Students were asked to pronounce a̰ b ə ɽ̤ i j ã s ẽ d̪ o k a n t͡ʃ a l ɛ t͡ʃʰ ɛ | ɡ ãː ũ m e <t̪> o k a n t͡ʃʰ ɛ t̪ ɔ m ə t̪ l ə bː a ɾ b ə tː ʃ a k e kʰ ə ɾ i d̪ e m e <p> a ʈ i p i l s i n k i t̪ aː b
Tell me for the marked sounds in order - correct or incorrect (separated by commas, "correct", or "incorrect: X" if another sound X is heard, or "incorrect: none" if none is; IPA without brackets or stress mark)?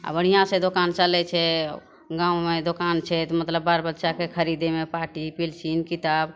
incorrect: d̪, correct